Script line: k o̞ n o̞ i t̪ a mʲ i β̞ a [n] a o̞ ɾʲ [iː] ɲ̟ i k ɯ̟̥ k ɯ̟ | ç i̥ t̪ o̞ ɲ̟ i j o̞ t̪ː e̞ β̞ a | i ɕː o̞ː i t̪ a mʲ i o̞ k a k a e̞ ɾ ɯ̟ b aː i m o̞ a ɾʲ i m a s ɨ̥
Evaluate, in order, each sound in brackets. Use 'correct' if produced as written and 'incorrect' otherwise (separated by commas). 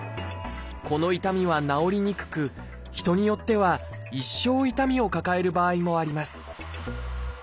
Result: correct, incorrect